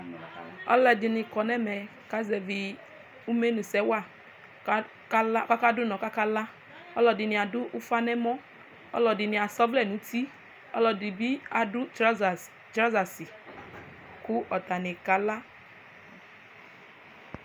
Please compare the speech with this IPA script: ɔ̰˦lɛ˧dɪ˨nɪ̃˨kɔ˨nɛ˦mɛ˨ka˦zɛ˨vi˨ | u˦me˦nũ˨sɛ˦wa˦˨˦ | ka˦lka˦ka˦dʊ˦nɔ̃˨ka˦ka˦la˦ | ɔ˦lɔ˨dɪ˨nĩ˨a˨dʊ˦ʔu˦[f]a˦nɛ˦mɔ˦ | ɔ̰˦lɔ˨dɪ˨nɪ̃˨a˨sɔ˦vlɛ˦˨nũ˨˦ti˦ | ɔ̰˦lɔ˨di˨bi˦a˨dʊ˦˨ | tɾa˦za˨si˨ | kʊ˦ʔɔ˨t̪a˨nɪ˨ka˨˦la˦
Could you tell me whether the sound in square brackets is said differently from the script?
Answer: no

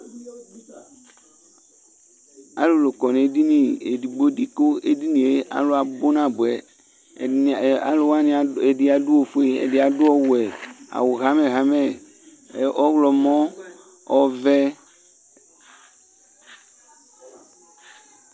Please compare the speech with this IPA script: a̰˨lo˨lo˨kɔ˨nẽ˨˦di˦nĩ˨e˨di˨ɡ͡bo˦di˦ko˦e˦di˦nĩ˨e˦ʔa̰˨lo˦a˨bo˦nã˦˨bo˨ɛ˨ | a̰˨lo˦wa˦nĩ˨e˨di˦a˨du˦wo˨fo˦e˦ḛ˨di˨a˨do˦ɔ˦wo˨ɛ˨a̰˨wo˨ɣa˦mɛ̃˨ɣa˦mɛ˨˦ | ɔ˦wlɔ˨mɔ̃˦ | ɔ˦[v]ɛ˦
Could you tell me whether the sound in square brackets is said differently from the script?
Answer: no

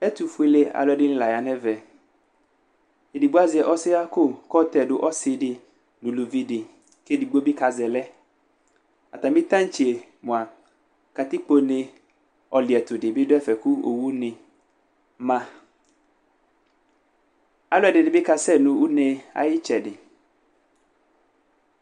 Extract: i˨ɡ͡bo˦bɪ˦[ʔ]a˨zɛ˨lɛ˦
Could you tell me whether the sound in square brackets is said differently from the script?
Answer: yes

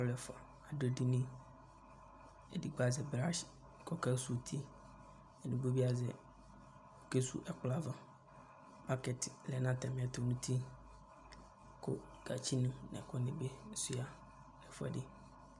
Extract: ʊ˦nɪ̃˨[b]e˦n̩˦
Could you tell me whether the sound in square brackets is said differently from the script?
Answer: no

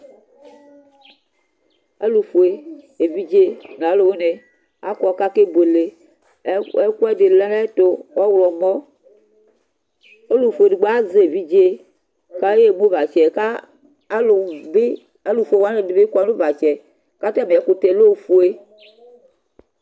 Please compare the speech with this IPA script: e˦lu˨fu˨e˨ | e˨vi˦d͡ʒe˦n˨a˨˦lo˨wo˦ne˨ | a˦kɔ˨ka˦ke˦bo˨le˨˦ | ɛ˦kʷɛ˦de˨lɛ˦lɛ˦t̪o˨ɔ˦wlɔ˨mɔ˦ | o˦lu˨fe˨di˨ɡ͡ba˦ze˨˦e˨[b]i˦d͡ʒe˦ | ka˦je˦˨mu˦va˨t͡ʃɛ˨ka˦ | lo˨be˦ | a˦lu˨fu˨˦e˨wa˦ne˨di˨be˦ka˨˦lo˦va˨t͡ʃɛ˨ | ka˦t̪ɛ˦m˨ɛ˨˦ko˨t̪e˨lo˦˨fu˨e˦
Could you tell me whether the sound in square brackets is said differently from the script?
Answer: yes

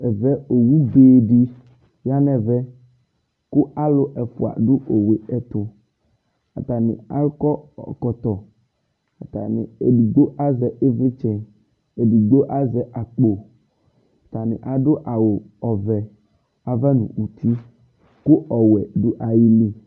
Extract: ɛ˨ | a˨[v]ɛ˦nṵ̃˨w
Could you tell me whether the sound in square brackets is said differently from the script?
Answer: no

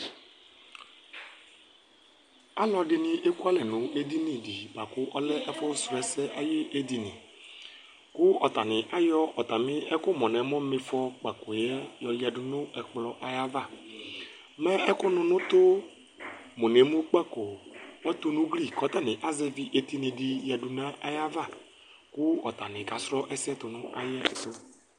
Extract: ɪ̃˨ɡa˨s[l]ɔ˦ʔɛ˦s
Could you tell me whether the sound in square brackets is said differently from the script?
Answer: yes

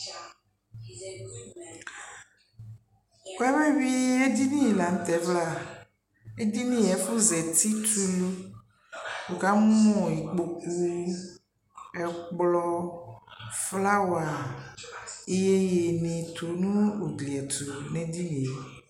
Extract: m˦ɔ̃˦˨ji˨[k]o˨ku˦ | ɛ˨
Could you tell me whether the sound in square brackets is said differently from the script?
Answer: yes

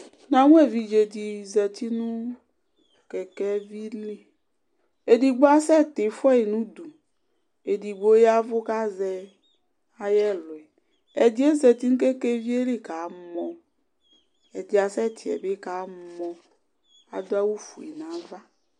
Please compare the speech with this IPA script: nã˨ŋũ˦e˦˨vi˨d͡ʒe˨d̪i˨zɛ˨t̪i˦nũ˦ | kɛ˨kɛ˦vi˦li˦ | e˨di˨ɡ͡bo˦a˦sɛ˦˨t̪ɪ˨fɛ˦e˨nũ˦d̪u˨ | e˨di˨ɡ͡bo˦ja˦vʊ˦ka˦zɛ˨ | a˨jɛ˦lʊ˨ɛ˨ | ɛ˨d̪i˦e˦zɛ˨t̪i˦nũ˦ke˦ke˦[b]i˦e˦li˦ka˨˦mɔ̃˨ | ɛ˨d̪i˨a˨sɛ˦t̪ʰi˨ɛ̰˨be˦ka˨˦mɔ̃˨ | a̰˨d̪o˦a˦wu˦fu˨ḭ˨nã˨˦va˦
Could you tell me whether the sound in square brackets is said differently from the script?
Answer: yes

